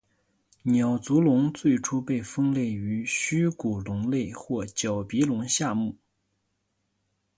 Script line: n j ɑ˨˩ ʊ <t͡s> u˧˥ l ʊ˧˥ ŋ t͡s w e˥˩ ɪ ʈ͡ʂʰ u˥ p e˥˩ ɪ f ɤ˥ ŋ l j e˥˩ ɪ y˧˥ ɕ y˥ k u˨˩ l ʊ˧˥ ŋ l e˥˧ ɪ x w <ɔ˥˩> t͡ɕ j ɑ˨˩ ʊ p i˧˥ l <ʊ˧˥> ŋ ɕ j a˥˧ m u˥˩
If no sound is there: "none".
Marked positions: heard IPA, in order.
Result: t͡s, ɔ˥˩, ʊ˧˥

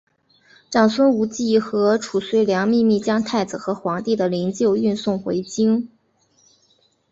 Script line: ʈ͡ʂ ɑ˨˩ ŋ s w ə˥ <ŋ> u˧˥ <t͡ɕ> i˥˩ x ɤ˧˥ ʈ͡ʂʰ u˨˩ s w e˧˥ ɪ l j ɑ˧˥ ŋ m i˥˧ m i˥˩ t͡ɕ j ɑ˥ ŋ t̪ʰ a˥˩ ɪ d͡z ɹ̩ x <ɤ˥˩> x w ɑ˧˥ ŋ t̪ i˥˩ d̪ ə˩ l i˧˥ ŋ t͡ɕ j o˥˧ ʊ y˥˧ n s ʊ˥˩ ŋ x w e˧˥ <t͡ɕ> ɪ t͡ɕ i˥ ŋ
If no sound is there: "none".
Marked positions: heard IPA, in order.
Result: n, t͡ɕ, ɤ˧˥, none

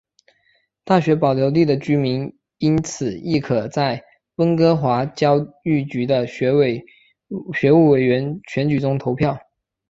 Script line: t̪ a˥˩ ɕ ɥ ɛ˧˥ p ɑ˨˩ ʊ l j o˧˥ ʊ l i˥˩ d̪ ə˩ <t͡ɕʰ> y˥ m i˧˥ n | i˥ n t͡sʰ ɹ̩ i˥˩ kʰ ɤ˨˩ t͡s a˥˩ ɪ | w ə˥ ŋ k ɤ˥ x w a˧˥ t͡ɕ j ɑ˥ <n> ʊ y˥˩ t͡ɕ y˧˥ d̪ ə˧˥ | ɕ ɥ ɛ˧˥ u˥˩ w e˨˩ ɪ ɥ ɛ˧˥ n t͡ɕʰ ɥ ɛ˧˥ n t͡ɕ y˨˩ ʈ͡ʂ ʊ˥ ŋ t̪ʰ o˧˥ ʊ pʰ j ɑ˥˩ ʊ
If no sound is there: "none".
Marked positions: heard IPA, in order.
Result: t͡ɕ, none

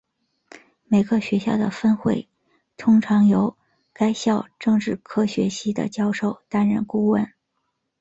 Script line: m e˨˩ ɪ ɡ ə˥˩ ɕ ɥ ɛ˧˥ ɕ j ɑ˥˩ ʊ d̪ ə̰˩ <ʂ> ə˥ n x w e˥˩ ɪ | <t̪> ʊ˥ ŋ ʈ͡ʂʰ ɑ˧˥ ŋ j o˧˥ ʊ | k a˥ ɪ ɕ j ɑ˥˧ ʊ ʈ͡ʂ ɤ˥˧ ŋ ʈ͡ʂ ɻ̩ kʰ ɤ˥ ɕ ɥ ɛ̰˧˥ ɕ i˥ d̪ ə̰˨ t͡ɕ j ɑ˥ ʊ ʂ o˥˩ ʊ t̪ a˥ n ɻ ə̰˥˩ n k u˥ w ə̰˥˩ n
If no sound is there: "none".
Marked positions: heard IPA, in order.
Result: f, t̪ʰ

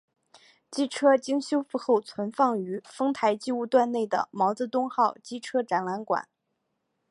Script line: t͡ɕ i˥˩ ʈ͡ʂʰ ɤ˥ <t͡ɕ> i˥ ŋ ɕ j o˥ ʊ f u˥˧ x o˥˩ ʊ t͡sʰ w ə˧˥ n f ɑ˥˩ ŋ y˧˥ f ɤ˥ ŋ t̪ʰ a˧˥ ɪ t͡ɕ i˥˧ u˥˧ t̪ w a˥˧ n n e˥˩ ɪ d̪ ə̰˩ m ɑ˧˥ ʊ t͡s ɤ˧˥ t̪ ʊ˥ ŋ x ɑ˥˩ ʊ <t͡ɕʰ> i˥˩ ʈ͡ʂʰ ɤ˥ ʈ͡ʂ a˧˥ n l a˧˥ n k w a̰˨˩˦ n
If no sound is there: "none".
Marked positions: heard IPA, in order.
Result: t͡ɕ, t͡ɕ

